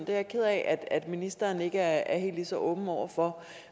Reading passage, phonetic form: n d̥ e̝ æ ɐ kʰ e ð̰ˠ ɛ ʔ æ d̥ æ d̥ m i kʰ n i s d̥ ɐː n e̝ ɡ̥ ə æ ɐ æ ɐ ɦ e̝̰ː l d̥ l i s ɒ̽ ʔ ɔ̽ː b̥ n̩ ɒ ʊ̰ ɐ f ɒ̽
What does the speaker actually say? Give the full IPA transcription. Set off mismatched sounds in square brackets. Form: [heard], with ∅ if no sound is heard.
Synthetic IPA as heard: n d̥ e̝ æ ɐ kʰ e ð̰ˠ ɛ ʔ æ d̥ æ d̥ m i [∅] n i s d̥ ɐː n e̝ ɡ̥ ə æ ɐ æ ɐ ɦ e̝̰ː l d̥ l i s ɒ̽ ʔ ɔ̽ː b̥ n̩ ɒ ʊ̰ ɐ f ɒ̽